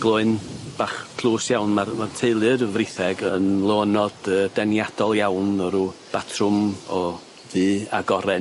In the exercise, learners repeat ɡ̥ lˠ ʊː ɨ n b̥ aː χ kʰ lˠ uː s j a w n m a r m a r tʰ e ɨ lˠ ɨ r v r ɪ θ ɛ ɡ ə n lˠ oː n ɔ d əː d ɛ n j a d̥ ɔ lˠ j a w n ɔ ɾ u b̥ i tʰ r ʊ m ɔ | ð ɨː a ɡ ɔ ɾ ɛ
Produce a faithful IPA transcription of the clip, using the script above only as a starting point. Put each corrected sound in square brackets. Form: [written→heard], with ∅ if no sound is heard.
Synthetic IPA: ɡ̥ lˠ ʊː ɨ n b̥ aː χ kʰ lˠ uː s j a w n m a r m a r tʰ e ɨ lˠ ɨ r v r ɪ θ ɛ ɡ ə n lˠ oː n ɔ d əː d ɛ n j a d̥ ɔ lˠ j a w n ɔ ɾ u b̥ [i→a] tʰ r ʊ m ɔ | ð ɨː a ɡ ɔ ɾ ɛ